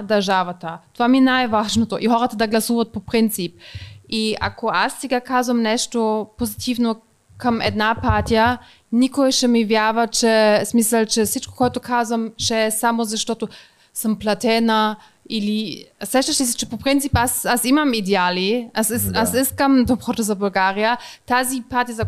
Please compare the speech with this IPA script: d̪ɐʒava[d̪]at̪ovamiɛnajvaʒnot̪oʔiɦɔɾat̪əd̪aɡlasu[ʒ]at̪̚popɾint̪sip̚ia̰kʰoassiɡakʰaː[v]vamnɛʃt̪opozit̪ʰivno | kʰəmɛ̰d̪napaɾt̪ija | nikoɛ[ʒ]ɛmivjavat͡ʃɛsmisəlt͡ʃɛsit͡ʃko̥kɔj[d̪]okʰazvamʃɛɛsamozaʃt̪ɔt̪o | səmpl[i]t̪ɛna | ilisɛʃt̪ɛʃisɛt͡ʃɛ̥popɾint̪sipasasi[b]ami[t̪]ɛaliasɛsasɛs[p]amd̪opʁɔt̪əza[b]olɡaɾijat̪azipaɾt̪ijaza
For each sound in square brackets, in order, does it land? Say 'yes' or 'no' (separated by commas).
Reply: no, no, no, no, no, no, no, no, no, yes